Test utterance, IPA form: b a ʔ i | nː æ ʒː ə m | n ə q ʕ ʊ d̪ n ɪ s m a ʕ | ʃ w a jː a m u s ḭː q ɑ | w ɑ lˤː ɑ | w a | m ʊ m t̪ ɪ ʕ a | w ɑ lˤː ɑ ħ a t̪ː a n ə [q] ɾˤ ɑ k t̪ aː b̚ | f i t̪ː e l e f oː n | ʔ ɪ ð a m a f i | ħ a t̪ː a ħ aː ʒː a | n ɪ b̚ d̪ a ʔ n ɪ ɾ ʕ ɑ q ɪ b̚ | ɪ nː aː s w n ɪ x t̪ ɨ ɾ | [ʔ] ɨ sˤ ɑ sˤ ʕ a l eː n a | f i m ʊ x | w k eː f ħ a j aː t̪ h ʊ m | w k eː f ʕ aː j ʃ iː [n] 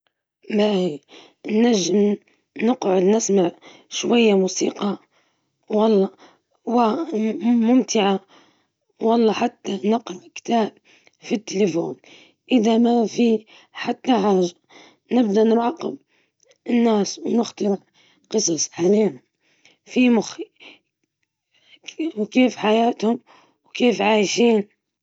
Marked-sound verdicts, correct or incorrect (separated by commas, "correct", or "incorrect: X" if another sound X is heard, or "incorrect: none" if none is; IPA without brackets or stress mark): correct, incorrect: q, correct